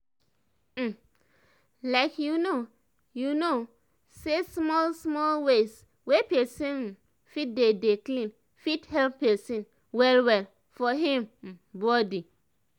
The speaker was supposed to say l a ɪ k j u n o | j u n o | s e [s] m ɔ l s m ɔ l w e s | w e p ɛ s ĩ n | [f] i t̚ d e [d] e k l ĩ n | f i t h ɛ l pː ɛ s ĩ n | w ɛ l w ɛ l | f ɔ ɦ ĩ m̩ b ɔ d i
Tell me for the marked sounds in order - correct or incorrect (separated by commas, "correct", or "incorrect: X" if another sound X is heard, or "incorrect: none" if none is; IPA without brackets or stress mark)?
correct, correct, correct